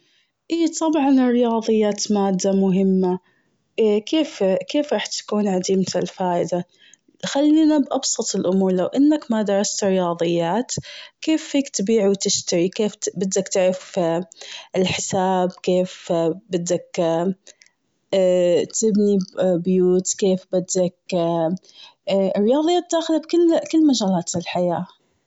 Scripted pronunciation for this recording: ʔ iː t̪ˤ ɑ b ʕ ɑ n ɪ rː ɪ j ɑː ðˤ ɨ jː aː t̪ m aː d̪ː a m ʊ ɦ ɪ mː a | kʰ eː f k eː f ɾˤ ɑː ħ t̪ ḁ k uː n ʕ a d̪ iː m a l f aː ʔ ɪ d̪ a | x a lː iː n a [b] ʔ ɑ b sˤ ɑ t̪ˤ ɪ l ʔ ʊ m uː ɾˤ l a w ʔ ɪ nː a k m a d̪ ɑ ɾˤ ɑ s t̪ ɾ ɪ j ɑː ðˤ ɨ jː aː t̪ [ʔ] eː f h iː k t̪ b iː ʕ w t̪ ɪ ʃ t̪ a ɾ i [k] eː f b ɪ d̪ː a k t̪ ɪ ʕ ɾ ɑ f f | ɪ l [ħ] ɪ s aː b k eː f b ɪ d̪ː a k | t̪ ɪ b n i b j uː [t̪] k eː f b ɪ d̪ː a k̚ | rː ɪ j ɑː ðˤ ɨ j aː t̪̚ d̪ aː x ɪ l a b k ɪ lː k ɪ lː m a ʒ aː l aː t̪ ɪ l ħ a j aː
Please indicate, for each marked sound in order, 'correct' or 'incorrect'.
correct, incorrect: k, correct, correct, correct

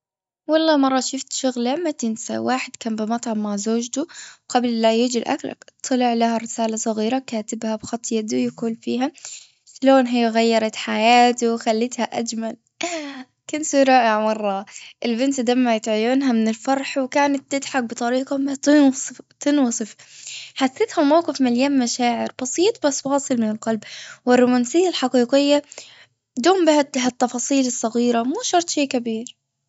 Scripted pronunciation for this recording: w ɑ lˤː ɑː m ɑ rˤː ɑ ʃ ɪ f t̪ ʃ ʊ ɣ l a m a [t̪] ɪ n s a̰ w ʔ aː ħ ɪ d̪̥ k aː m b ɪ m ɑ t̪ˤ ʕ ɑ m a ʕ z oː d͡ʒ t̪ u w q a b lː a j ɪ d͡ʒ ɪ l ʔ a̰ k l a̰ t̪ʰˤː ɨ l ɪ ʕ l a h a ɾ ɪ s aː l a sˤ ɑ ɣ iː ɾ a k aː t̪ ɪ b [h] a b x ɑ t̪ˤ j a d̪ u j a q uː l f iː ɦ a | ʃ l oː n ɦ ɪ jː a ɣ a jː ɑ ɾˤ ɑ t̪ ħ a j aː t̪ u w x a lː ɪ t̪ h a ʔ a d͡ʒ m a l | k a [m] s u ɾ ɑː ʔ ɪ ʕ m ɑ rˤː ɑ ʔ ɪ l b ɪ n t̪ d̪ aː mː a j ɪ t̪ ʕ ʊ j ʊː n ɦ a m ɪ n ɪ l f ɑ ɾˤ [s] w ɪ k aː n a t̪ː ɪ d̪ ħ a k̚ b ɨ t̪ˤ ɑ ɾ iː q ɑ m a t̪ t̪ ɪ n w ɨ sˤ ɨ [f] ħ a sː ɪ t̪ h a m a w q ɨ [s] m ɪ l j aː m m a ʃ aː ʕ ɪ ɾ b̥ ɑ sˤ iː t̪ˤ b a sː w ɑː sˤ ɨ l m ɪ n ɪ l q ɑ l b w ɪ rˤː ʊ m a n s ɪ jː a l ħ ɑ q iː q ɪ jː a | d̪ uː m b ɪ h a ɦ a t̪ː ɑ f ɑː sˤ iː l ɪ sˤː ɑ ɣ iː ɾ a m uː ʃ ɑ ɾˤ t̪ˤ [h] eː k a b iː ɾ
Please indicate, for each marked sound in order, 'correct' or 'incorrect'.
correct, correct, incorrect: n, incorrect: ħ, correct, incorrect: f, incorrect: ʃ

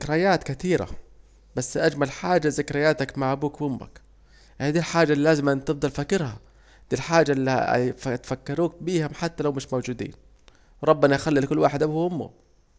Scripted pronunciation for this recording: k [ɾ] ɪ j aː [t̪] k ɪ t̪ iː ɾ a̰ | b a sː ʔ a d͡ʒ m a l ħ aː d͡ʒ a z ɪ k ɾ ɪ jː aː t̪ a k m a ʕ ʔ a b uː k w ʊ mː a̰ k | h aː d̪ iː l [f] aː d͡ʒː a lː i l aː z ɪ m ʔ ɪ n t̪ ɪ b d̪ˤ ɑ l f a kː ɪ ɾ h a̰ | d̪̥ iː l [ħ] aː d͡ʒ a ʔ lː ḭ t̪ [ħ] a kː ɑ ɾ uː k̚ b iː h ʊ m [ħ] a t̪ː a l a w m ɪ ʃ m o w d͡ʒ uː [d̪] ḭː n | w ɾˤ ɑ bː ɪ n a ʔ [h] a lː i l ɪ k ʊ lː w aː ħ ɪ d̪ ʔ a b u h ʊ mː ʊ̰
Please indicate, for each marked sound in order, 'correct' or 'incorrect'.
correct, correct, incorrect: ħ, correct, incorrect: f, correct, correct, incorrect: x

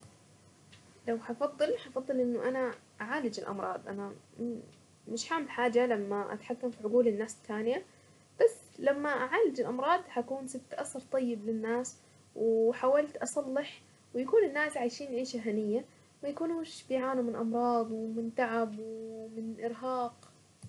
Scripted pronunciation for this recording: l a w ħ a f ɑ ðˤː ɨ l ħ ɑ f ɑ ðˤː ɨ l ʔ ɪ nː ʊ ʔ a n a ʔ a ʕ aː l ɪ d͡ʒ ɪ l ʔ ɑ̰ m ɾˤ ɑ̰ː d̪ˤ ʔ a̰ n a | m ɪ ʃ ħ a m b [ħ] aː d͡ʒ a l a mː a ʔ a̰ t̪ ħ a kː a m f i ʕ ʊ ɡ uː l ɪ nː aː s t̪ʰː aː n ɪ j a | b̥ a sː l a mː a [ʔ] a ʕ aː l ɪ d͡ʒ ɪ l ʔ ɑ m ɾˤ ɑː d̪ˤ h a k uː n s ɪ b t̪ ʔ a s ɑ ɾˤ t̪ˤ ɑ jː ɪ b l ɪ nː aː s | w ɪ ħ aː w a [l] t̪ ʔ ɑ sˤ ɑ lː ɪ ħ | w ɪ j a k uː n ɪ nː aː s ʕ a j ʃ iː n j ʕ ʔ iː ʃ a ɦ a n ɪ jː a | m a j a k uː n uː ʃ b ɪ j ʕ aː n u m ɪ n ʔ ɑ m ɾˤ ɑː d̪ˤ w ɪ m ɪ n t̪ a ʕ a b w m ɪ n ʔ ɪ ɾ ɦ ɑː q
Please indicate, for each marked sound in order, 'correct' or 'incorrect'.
correct, correct, correct

